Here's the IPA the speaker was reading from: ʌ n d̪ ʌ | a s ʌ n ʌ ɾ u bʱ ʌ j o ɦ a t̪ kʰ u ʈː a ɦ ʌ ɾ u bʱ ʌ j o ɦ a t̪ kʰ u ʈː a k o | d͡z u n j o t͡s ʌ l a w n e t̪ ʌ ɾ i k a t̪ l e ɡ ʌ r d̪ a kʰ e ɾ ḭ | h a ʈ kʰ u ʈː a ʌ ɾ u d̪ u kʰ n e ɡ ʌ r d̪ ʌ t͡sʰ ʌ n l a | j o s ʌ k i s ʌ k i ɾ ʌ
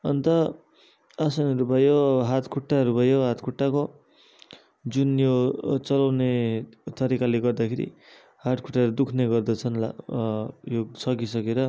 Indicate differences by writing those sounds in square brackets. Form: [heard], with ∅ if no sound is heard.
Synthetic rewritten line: ʌ n [t̪] ʌ | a s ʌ n ʌ ɾ u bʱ ʌ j o ɦ a t̪ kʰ u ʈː a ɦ ʌ ɾ u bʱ ʌ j o ɦ a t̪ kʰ u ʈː a k o | d͡z u n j o t͡s ʌ l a w n e t̪ ʌ ɾ i k a [∅] l e ɡ ʌ r d̪ a kʰ e ɾ ḭ | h a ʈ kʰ u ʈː a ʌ ɾ u d̪ u kʰ n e ɡ ʌ r d̪ ʌ t͡sʰ ʌ n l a | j o s ʌ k i s ʌ k [e] ɾ ʌ